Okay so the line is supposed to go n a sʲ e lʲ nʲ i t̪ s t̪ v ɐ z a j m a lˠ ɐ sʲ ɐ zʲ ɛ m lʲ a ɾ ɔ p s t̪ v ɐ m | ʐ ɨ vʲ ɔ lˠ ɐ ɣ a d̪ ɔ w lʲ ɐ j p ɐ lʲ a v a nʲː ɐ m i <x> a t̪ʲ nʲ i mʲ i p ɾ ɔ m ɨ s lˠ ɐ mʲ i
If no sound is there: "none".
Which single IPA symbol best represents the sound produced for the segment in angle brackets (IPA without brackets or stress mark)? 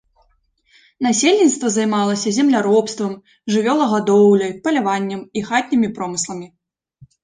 x